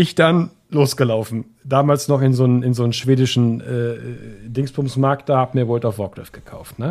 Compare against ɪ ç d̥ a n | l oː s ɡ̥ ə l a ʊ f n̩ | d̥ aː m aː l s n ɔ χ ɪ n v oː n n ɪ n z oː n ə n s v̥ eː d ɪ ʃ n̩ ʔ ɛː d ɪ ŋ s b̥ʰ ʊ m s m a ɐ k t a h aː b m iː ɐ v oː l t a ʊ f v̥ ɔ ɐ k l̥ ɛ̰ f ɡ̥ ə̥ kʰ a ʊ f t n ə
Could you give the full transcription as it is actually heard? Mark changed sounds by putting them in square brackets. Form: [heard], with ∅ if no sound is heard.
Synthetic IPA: ɪ ç d̥ a n | l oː s ɡ̥ ə l a ʊ f n̩ | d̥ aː m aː l s n ɔ χ ɪ n [z] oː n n ɪ n z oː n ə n [ʃ] v̥ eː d ɪ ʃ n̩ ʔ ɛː d ɪ ŋ s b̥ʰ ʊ m s m a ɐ k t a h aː b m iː ɐ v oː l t a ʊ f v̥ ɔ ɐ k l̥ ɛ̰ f ɡ̥ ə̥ kʰ a ʊ f t n ə